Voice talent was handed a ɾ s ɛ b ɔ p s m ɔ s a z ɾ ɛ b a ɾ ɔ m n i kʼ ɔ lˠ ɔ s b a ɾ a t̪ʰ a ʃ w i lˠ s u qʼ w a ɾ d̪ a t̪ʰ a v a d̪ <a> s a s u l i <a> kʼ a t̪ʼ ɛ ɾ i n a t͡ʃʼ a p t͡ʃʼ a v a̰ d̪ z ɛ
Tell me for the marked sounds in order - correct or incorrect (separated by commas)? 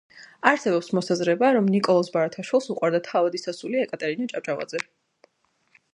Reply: incorrect, incorrect